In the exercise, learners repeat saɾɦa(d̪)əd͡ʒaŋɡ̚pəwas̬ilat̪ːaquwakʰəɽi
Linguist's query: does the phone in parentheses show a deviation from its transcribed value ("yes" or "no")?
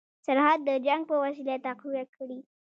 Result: yes